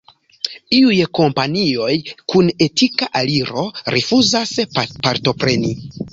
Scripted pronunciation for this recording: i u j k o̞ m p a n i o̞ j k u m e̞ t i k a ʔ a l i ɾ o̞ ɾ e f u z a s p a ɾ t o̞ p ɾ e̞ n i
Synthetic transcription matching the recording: i u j k o̞ m p a n i o̞ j k u n e̞ t i k a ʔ a l i ɾ o̞ ɾ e f u z a s p a ɾ t o̞ p ɾ e̞ n i